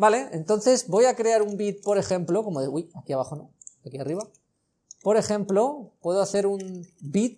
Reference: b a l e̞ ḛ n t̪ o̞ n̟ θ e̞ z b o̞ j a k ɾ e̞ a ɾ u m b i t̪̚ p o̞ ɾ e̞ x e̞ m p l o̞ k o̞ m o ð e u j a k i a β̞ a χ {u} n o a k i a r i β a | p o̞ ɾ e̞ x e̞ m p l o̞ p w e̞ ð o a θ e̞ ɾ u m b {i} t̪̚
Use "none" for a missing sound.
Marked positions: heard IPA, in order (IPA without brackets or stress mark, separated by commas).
o, i